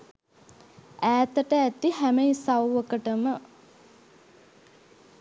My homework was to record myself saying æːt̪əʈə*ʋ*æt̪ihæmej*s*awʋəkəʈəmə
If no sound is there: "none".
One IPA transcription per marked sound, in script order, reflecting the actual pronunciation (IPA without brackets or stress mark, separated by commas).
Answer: none, s